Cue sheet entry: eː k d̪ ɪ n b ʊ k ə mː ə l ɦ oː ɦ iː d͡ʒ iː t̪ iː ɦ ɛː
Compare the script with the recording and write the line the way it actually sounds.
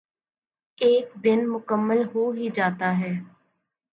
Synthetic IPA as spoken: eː k d̪ ɪ n m ʊ k ə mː ə l ɦ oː ɦ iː d͡ʒ aː t̪ aː ɦ ɛː